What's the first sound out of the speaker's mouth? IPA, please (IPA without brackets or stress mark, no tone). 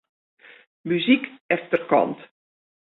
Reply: m